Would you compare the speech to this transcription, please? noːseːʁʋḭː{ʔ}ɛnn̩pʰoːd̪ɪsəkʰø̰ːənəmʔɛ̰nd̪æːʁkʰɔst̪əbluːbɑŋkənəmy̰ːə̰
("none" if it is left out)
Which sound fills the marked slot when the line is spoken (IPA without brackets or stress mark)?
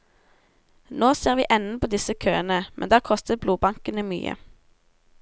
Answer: ʔ